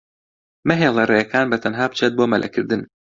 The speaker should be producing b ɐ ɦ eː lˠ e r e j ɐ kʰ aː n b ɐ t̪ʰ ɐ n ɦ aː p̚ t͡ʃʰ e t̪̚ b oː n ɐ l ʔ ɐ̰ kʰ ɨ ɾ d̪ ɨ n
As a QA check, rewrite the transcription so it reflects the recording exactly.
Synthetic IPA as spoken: m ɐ ɦ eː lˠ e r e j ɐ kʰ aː n b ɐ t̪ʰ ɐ n ɦ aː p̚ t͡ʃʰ e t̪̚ b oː m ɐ l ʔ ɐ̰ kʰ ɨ ɾ d̪ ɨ n